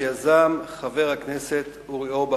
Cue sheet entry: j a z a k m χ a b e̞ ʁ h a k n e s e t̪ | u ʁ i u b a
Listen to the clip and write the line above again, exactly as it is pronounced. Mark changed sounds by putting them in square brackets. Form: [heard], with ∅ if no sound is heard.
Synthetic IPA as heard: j a z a [∅] m χ a [v] e̞ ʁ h a k n e s e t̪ | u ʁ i [o] b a